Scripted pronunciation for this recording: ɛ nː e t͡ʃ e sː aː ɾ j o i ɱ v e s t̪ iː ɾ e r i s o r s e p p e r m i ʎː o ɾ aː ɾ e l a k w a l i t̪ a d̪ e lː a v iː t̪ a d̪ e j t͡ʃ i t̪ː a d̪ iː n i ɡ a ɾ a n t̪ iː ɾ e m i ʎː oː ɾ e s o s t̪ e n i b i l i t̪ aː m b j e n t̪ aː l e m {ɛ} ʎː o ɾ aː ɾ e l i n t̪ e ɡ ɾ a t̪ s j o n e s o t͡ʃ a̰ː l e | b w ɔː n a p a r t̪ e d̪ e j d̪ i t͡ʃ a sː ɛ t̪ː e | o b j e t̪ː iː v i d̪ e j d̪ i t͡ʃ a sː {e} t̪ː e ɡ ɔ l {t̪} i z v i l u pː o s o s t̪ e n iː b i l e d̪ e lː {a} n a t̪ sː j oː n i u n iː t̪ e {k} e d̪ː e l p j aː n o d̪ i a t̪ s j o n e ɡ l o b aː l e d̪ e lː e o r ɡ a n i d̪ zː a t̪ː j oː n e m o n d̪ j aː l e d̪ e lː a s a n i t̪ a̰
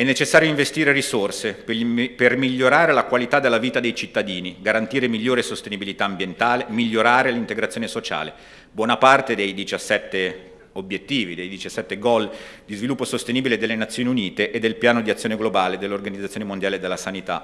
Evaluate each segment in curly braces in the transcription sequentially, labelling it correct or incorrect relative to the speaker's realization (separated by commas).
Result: incorrect, incorrect, incorrect, incorrect, incorrect